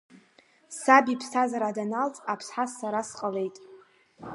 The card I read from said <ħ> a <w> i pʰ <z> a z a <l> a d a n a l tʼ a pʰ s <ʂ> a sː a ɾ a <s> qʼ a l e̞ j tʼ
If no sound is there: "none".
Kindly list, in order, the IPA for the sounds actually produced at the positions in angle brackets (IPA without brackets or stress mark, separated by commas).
s, b, s, ɾ, ħ, s